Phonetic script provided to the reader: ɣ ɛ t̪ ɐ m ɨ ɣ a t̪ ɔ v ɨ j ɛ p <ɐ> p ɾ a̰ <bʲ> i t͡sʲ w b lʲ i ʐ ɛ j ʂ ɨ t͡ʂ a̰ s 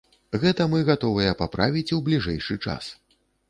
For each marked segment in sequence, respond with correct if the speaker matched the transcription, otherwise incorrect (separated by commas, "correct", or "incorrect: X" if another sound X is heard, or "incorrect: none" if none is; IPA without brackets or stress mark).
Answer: incorrect: a, incorrect: vʲ